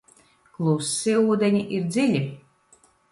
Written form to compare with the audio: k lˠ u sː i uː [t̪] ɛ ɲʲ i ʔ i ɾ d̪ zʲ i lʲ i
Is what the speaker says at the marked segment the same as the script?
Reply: no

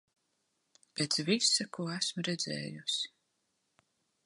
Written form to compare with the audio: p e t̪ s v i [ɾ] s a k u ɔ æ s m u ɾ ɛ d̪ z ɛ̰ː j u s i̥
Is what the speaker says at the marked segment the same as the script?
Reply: no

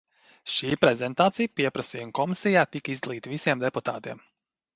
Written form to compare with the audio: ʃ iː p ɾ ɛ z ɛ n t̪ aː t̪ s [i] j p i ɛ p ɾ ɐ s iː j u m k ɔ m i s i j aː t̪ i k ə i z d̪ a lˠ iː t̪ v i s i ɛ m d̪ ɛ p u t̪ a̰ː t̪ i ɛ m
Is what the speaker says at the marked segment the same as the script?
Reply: yes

